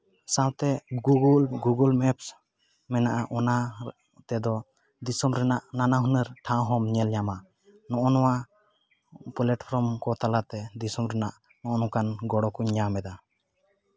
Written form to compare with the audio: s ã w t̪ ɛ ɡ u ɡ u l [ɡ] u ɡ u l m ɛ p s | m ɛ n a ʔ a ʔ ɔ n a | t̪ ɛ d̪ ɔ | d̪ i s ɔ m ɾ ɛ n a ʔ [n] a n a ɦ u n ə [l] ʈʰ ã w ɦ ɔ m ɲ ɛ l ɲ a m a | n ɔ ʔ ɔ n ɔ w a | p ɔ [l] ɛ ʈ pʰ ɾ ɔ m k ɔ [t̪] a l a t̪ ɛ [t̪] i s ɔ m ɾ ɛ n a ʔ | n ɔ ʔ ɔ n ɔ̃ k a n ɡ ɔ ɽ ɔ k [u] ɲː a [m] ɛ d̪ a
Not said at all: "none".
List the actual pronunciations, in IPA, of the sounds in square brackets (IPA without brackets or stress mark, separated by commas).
ɡ, n, ɾ, l, t̪, d̪, u, m